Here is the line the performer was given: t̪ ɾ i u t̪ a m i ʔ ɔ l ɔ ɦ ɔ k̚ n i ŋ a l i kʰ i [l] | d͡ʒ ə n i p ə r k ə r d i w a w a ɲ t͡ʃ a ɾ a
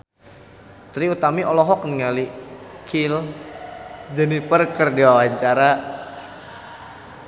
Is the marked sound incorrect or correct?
correct